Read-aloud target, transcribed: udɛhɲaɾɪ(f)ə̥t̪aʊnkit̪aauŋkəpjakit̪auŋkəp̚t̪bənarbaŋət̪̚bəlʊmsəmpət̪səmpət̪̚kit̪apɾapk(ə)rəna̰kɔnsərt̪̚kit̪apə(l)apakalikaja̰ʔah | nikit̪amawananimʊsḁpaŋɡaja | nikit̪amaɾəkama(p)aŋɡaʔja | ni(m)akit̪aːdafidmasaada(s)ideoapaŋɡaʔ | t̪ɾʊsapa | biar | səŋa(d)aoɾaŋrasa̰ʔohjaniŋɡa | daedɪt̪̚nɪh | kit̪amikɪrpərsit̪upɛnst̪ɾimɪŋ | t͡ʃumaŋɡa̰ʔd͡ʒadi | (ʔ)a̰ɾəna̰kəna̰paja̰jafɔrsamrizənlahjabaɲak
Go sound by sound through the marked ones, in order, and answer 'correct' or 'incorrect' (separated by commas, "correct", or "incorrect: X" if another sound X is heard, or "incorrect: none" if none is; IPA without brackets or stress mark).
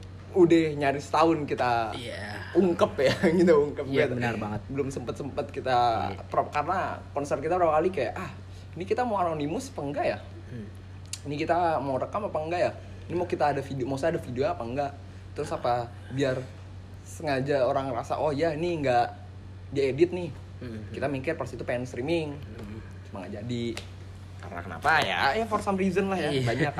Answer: incorrect: s, incorrect: a, incorrect: ɾ, correct, correct, incorrect: f, incorrect: d͡ʒ, incorrect: k